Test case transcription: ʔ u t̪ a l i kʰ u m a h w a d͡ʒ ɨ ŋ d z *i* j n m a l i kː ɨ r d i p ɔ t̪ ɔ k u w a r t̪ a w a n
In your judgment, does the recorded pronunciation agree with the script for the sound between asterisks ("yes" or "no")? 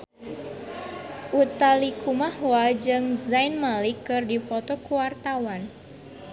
no